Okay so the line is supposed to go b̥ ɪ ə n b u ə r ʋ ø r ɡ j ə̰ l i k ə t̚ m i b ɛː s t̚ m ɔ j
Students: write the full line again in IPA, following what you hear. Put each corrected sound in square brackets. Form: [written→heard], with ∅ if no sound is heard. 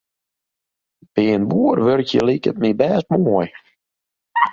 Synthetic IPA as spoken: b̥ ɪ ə n b u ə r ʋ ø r [ɡ→k] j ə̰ l i k ə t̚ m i b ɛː s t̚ m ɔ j